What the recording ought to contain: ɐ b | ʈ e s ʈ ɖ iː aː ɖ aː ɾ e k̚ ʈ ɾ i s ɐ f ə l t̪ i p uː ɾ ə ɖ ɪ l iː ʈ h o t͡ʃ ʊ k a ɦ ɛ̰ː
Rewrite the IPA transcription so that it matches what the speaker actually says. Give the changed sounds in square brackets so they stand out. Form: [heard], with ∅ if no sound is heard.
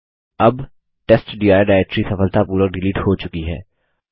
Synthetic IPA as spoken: ɐ b | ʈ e s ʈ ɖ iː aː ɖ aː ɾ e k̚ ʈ ɾ i s ɐ f ə l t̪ [a] p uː ɾ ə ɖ ɪ l iː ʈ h o t͡ʃ ʊ k [i] ɦ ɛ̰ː